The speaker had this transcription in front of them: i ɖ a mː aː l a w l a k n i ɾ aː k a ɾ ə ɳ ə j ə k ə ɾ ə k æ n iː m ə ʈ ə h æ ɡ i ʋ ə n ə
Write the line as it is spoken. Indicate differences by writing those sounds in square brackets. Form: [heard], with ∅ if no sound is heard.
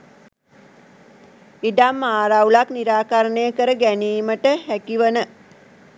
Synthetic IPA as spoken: i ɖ a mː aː [ɾ] a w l a k n i ɾ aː k a ɾ ə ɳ ə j ə k ə ɾ ə [ɡ] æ n iː m ə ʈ ə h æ [k] i ʋ ə n ə